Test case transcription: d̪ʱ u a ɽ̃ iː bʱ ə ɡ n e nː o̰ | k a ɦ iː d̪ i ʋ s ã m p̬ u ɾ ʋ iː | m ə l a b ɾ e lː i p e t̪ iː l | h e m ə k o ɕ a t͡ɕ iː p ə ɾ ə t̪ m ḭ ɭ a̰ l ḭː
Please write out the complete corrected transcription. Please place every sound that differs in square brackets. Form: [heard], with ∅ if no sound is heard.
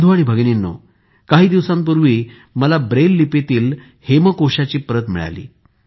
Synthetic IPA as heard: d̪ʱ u a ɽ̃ [i] bʱ ə ɡ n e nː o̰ | k a ɦ iː d̪ i ʋ s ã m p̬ u ɾ ʋ iː | m ə l a b ɾ e lː i p e t̪ iː l | h e m ə k o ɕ a t͡ɕ iː p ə ɾ ə t̪ m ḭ ɭ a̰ l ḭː